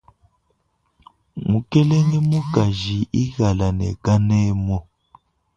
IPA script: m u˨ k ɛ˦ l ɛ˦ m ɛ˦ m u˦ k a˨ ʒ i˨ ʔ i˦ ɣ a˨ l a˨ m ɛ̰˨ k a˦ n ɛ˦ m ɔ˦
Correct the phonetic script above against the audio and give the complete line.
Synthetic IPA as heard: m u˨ k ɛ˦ l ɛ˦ ŋ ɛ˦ m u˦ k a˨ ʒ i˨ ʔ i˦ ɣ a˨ l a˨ n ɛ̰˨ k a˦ n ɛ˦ m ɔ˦